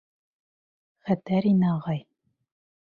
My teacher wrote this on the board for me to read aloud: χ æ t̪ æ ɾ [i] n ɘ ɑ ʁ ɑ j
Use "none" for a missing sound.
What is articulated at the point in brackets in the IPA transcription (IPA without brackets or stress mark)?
i